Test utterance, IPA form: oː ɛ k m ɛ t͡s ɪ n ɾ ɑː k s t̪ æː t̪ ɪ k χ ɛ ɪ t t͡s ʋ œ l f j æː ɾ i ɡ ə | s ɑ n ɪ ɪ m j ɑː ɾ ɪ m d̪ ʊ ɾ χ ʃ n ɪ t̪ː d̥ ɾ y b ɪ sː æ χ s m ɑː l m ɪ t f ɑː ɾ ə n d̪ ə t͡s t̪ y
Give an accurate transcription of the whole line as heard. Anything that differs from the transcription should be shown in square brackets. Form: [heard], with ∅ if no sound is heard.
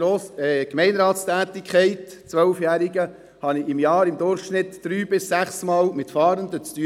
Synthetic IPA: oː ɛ k m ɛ [∅] ɪ n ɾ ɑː [t] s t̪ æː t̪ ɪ k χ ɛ ɪ t t͡s ʋ œ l f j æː ɾ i ɡ ə | [h] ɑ n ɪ ɪ m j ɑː ɾ ɪ m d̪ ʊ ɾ χ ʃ n ɪ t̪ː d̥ ɾ [yː] b ɪ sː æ χ s m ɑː l m ɪ t f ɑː ɾ ə n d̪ ə t͡s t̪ y

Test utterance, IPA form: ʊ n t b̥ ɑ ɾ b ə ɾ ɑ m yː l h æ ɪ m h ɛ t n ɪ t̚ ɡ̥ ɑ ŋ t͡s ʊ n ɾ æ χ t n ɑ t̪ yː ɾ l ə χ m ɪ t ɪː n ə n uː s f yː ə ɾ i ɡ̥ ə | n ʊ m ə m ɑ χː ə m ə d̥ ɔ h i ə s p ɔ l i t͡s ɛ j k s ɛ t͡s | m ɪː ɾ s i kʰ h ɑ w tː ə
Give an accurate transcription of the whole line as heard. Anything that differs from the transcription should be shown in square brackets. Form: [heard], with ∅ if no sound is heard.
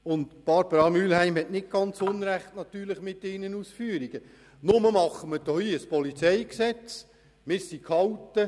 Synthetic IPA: ʊ n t b̥ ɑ ɾ b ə ɾ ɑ m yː l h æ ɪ m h ɛ t n ɪ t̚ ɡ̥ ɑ [n] t͡s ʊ n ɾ æ χ t n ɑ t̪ yː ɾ l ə χ m ɪ t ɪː n ə n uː s f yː ə ɾ i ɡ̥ ə | n ʊ m ə m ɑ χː ə m ə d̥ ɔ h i ə s p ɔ l i t͡s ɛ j k s ɛ t͡s | m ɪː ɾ s i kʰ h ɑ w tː ə

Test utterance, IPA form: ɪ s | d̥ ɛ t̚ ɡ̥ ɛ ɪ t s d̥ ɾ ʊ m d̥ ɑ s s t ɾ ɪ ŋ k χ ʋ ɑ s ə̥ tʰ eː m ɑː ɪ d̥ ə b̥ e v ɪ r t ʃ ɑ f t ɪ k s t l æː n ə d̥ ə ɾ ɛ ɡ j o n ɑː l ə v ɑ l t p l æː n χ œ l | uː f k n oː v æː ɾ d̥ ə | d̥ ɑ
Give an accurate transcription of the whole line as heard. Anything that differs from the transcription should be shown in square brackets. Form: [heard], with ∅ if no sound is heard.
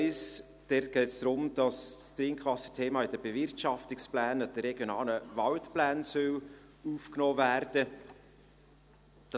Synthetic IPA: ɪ s | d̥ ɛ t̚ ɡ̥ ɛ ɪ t s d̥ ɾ ʊ m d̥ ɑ s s t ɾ ɪ ŋ k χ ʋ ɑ s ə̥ tʰ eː m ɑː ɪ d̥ ə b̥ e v ɪ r t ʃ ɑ f t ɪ k s [p] l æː n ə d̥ ə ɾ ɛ ɡ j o n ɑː l ə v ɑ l t p l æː n [s] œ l | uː f k n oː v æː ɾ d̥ ə | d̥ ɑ

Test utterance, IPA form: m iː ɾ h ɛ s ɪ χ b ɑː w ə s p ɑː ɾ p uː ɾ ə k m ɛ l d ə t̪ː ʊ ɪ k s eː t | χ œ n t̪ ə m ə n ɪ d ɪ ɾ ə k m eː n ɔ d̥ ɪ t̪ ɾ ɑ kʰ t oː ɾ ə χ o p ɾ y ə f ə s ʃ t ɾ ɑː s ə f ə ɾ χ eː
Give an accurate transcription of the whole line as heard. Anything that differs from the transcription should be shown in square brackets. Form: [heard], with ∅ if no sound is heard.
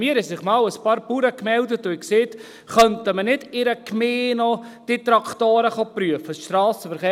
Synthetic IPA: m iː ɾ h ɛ s ɪ χ [m] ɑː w ə s p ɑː ɾ p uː ɾ ə k m ɛ l d ə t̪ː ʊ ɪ k s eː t | χ œ n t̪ ə m ə n ɪ d ɪ ɾ ə k m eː n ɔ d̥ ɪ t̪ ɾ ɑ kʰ t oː ɾ ə χ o p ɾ y ə f ə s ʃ t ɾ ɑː s ə f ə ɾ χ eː

